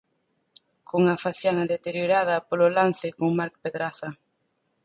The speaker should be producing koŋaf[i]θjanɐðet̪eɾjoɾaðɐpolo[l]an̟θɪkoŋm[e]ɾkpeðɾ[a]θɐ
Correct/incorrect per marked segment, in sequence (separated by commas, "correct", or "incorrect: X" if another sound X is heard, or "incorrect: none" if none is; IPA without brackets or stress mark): incorrect: a, correct, incorrect: a, correct